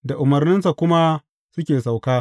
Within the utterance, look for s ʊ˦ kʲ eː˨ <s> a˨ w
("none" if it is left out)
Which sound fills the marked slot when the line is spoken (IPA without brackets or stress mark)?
s